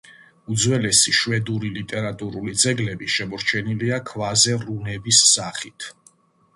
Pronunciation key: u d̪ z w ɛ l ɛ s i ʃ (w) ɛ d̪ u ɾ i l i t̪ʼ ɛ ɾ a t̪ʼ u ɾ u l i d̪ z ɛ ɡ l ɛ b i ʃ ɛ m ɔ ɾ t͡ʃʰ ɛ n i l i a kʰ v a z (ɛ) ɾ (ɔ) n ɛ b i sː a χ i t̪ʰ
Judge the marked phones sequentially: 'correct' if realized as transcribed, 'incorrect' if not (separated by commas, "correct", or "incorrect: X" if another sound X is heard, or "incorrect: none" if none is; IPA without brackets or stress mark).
correct, correct, incorrect: u